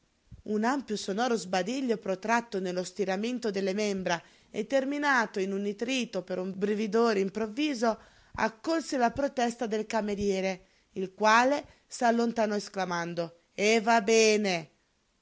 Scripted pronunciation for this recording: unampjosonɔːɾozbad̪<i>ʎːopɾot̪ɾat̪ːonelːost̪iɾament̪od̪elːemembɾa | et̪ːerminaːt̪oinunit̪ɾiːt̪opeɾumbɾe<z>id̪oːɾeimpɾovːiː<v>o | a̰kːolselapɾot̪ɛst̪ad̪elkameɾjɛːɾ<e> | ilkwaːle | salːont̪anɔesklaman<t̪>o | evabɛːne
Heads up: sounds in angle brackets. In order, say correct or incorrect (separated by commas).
correct, incorrect, incorrect, correct, incorrect